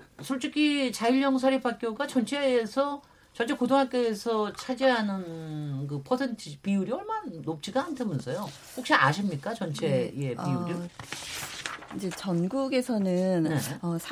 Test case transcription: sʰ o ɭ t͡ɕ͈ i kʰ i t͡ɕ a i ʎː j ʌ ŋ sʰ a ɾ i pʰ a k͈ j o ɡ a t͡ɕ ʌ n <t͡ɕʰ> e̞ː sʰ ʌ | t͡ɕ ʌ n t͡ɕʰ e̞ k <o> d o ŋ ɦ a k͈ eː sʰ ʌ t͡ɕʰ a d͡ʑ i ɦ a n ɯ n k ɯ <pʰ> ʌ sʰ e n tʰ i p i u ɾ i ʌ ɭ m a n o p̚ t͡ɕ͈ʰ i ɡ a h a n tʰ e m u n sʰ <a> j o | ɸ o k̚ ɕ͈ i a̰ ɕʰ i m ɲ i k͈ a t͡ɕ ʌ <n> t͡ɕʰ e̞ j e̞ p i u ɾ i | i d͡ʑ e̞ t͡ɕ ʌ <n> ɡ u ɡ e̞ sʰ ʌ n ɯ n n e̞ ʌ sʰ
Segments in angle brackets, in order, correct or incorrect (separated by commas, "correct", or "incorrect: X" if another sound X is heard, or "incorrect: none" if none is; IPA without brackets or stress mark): correct, correct, correct, incorrect: ʌ, correct, correct